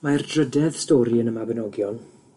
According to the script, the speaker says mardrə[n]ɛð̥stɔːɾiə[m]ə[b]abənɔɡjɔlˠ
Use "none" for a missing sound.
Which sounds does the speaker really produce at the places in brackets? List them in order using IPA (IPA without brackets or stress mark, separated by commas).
d, n, m